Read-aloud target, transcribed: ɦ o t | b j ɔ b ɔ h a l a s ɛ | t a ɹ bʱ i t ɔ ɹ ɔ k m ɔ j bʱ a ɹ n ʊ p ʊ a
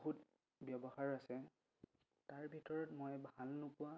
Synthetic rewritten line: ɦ u t | b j ɔ b ɔ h a ɹ a s ɛ | t a ɹ bʱ i t ɔ ɹ ɔ t m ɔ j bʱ a l n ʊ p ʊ a